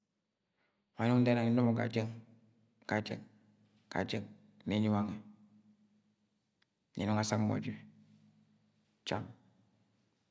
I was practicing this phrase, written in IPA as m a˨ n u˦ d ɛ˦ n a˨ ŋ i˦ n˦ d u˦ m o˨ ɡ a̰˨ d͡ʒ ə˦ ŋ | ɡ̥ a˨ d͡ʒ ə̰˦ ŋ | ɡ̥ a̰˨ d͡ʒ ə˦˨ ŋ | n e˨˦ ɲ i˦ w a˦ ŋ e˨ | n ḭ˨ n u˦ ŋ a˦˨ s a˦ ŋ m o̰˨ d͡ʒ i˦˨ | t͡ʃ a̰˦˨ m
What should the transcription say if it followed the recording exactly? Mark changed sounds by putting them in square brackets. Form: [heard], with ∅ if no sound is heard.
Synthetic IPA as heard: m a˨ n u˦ d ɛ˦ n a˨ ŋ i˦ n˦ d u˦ m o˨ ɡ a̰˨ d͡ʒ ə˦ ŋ | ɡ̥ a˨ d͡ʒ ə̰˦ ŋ | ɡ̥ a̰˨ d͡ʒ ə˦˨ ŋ | n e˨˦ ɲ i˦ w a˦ ŋ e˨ | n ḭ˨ n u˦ ŋ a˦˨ s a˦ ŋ m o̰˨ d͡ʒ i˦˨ | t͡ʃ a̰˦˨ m